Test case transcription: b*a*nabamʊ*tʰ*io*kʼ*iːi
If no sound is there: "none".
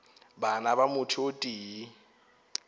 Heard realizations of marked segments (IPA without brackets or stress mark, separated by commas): a, tʰ, tʼ